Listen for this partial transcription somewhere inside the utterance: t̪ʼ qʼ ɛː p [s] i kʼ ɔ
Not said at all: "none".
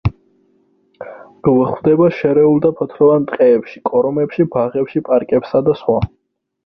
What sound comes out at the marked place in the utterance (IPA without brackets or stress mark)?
ʃ